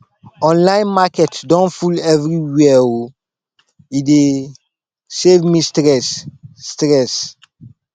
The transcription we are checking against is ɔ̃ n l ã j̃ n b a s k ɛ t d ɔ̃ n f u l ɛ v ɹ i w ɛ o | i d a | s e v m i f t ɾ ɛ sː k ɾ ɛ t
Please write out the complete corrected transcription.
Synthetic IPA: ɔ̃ n l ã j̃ n m a k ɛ t d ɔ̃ n f u l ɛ v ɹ i w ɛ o | i d e | s e v m i s t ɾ ɛ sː t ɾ ɛ s